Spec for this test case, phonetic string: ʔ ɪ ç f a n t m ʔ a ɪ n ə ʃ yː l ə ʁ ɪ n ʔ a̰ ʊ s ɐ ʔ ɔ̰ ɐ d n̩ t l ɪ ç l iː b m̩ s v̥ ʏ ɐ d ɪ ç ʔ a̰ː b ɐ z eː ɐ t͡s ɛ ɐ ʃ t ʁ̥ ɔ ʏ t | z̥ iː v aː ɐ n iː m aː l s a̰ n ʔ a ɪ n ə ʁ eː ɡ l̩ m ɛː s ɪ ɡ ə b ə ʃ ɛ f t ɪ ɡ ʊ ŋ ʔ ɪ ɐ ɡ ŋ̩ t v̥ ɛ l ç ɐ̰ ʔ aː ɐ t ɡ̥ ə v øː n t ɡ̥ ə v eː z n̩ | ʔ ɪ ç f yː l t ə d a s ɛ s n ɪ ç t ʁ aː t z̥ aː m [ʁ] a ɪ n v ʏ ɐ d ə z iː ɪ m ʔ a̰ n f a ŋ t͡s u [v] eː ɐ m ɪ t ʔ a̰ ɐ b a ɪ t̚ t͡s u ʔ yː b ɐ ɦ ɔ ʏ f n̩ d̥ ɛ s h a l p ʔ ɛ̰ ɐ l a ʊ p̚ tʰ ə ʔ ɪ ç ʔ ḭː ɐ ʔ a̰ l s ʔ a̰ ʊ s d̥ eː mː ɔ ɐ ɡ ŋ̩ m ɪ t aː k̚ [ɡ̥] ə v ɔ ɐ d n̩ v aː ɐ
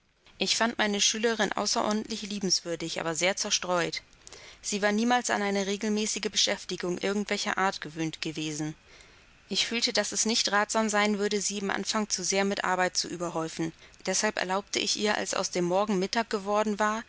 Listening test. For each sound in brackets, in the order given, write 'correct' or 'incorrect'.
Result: incorrect, incorrect, correct

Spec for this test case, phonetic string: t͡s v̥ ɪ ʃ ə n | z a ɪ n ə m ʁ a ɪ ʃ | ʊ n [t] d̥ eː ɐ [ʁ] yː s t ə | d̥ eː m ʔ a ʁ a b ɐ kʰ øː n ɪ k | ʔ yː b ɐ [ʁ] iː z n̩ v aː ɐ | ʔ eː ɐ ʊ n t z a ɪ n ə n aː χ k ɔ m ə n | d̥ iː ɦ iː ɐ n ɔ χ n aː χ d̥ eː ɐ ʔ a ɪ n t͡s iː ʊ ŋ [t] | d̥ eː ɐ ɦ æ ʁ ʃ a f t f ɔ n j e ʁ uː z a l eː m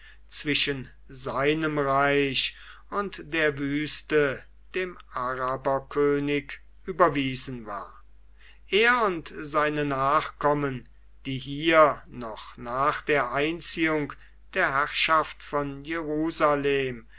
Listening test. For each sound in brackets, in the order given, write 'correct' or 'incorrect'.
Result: correct, incorrect, incorrect, incorrect

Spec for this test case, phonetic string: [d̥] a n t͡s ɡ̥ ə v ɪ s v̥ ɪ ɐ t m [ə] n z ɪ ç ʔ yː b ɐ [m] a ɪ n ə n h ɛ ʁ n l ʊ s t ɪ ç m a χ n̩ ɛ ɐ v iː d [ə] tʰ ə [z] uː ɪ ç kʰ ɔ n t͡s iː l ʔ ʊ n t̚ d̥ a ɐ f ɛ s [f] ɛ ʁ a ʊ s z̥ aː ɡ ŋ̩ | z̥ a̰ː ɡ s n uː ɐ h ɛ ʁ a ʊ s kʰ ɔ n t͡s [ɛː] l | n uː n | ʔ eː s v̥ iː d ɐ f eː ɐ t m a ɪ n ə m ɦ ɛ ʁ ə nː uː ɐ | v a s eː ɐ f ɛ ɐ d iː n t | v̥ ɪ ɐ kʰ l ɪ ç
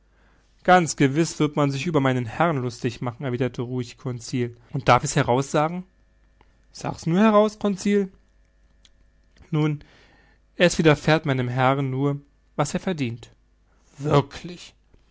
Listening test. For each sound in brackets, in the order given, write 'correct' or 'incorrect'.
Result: incorrect, incorrect, correct, incorrect, incorrect, incorrect, incorrect

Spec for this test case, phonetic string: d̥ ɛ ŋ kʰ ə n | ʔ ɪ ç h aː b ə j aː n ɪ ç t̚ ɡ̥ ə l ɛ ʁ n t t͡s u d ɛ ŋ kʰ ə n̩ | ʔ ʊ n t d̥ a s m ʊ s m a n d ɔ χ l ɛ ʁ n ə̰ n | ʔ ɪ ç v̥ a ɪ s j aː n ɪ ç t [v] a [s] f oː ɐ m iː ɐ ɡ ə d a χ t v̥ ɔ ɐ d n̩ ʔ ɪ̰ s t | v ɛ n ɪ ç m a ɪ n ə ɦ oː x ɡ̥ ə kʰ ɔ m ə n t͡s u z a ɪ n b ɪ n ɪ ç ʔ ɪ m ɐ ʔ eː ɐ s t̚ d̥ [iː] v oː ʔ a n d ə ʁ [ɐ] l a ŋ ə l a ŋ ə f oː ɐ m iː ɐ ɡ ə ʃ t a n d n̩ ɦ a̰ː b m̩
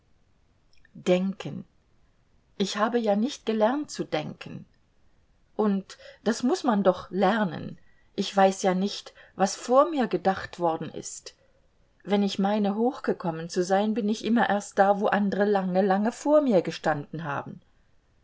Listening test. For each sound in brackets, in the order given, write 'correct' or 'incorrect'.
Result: correct, correct, incorrect, incorrect

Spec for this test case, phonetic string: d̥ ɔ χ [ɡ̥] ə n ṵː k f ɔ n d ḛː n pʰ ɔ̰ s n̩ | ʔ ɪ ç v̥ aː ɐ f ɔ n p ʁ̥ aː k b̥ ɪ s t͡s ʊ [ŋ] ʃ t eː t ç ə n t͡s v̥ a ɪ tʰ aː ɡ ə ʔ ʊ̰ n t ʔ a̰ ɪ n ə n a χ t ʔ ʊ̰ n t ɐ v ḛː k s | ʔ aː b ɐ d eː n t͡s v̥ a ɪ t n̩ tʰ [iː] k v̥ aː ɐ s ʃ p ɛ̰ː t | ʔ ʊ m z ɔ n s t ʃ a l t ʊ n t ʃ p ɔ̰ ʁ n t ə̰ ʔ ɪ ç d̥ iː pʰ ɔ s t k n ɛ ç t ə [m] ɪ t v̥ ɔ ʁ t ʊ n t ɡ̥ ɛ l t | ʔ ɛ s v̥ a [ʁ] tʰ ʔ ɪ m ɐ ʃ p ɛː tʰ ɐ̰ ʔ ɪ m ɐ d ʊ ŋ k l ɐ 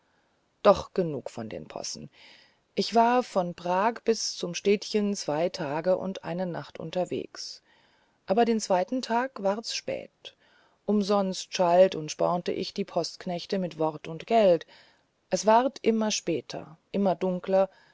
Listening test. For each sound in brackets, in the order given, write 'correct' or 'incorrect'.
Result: correct, incorrect, incorrect, correct, correct

